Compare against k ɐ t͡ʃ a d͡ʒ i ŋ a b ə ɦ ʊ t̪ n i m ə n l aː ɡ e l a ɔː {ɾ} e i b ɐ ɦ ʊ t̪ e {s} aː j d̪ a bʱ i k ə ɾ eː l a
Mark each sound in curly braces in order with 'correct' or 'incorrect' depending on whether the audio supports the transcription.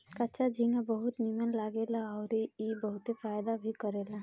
correct, incorrect

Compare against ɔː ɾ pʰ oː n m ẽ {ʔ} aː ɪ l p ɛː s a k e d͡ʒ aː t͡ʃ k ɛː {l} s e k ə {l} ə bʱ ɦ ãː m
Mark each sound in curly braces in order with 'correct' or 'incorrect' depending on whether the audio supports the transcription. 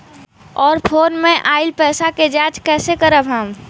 correct, incorrect, incorrect

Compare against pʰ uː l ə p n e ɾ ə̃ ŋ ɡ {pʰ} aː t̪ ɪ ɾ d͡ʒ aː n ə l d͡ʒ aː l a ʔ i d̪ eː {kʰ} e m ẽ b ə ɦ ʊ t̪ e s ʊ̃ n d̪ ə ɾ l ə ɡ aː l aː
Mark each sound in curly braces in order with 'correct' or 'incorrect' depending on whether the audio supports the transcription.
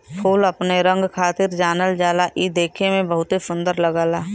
incorrect, correct

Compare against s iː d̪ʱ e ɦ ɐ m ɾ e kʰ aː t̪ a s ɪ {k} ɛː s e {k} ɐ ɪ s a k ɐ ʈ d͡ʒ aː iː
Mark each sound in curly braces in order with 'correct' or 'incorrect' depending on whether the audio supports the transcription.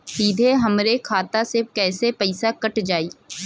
correct, incorrect

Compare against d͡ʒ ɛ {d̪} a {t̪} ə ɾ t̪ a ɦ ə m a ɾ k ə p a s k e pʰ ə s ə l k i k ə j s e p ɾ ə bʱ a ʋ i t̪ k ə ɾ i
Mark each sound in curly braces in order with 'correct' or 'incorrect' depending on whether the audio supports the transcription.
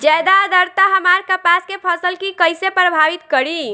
correct, incorrect

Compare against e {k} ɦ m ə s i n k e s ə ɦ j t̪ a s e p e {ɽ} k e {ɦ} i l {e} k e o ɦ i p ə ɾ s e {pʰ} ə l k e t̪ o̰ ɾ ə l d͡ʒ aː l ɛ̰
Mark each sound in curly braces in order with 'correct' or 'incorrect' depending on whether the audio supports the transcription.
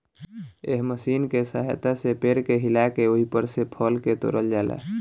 incorrect, incorrect, correct, incorrect, correct

